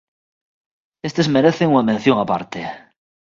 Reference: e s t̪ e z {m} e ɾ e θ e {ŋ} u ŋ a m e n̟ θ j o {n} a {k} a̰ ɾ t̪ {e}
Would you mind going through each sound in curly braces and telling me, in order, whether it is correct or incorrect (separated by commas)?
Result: correct, correct, incorrect, incorrect, correct